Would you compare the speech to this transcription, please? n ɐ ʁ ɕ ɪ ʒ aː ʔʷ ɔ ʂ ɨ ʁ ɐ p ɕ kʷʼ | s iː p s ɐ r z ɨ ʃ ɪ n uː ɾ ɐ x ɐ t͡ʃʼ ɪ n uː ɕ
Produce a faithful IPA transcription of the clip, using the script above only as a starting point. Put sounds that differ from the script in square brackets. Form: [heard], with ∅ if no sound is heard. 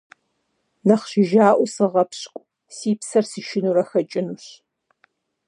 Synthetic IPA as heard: n ɐ [χ] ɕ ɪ ʒ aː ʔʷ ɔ [s] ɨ ʁ ɐ p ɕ kʷʼ | s iː p s ɐ r [s] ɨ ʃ ɪ n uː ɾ ɐ x ɐ t͡ʃʼ ɪ n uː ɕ

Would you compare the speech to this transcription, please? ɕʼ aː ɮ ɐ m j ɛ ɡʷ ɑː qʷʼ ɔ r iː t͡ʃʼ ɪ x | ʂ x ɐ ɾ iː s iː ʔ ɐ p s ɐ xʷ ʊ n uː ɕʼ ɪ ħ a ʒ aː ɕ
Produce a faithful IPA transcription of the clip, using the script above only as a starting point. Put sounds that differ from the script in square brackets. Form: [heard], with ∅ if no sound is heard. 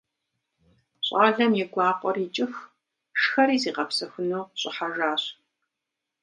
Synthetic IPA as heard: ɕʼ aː ɮ ɐ m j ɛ ɡʷ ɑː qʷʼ ɔ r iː t͡ʃʼ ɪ x | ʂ x ɐ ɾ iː [z] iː [q] ɐ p s ɐ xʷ ʊ n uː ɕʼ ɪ ħ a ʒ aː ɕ

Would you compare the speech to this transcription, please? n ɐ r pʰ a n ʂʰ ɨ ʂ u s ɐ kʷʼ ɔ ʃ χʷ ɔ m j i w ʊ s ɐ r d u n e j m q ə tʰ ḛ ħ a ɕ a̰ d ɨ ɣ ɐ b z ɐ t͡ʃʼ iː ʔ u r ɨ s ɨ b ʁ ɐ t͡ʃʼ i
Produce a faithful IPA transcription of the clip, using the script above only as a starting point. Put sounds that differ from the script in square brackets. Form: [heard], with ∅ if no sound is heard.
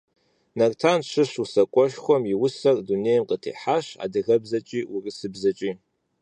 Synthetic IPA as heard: n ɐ r [tʰ] a n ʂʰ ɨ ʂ u s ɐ kʷʼ ɔ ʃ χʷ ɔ m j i w ʊ s ɐ r d u n e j m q ə tʰ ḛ ħ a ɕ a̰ d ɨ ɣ ɐ b z ɐ t͡ʃʼ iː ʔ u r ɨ s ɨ b [z] ɐ t͡ʃʼ i

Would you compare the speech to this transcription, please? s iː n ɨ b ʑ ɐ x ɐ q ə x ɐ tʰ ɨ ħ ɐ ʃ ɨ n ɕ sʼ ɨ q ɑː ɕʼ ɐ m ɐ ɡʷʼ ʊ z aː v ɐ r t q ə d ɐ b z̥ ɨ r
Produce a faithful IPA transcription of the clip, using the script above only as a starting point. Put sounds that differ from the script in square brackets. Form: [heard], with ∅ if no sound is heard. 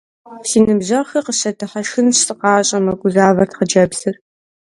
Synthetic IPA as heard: s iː n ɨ b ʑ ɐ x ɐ q ə [ɕ] ɐ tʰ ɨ ħ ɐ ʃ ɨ n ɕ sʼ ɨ q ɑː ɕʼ ɐ m ɐ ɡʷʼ ʊ z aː v ɐ r t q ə [d͡ʒ] ɐ b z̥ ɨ r

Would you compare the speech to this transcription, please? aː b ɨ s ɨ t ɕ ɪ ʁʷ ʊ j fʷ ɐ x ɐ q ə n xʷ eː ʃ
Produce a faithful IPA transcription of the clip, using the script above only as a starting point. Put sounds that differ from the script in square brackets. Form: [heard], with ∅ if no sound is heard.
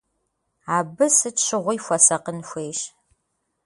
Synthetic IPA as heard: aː b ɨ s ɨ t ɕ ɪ ʁʷ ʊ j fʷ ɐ [s] ɐ q ə n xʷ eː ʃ

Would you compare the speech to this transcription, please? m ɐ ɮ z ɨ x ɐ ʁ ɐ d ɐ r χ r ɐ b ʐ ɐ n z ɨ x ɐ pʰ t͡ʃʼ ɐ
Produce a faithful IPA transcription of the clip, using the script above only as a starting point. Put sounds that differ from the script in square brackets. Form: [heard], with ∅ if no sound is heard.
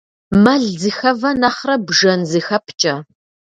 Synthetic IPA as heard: m ɐ ɮ z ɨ x ɐ [v] ɐ [n] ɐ [∅] χ r ɐ b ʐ ɐ n z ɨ x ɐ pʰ t͡ʃʼ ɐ

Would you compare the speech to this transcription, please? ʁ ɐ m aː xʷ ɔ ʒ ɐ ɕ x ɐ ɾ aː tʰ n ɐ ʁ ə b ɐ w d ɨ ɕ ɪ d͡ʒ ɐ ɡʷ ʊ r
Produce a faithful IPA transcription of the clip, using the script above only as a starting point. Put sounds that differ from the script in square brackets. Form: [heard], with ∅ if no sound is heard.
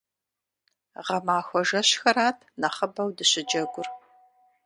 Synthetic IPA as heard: ʁ ɐ m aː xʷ ɔ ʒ ɐ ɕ x ɐ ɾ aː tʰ n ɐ [χ] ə b ɐ w d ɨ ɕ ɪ d͡ʒ ɐ ɡʷ ʊ r

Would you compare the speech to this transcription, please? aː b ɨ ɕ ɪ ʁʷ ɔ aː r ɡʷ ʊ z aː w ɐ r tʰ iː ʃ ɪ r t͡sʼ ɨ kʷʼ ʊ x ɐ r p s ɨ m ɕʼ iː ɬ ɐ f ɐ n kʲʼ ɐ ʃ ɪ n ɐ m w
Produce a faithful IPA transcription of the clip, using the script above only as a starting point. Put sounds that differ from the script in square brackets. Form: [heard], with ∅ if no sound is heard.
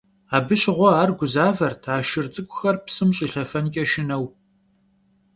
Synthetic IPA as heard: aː b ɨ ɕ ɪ ʁʷ ɔ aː r ɡʷ ʊ z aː [v] ɐ r tʰ [aː] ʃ ɪ r t͡sʼ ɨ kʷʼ ʊ x ɐ r p s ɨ m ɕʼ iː ɬ ɐ f ɐ n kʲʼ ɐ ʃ ɪ n ɐ [∅] w

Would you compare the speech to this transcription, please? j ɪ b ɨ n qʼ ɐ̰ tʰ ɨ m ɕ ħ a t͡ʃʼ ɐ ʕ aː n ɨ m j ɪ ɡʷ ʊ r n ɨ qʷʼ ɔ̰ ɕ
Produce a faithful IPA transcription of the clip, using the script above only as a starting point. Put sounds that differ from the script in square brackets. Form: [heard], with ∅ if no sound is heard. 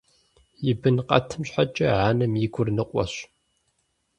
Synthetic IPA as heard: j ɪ b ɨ n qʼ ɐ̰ tʰ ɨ m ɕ ħ a t͡ʃʼ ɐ ʕ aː n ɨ m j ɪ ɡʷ ʊ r n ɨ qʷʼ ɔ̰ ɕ

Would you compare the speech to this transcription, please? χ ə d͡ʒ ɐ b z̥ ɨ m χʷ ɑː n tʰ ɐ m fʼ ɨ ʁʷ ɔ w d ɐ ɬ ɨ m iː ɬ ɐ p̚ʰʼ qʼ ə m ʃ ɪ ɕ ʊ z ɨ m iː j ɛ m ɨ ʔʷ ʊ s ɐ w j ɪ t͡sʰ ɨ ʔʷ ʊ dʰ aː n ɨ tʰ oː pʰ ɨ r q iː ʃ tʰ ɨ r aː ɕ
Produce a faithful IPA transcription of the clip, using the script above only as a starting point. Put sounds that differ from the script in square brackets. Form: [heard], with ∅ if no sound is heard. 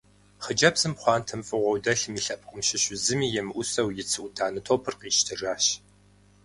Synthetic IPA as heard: χ ə d͡ʒ ɐ b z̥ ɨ m χʷ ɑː n tʰ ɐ m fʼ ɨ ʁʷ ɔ w d ɐ ɬ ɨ m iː ɬ ɐ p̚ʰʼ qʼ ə m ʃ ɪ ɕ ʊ z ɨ m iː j ɛ m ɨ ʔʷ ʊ s ɐ w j ɪ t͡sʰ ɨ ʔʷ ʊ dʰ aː n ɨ tʰ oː pʰ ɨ r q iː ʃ tʰ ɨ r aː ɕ

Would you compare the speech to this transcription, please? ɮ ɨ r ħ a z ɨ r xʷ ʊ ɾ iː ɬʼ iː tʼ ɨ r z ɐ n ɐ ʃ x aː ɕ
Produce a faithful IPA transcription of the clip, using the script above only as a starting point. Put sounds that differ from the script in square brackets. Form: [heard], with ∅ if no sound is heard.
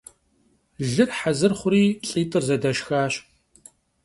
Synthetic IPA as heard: ɮ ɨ r ħ a z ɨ r [χʷ] ʊ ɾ iː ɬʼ iː tʼ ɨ r z ɐ [d] ɐ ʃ x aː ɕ

